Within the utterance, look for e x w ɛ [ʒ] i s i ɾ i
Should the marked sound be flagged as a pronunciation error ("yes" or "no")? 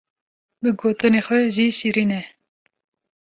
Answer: no